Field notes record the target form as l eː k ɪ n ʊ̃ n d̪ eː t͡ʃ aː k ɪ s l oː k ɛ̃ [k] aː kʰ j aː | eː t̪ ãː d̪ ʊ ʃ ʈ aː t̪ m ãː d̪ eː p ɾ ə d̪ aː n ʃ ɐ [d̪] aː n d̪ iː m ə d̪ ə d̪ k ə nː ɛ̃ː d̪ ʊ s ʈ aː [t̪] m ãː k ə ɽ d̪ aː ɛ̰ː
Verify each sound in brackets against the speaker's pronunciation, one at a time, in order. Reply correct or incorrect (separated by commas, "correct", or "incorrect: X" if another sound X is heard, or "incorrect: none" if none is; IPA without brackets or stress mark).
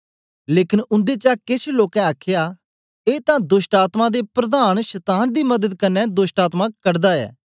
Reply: incorrect: none, incorrect: t̪, correct